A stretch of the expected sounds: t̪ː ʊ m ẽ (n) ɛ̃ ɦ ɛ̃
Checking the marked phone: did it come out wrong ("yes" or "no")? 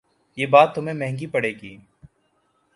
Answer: yes